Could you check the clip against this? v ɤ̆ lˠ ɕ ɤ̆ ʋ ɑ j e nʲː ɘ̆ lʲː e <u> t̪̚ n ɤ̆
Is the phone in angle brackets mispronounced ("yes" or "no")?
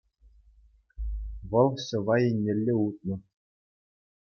no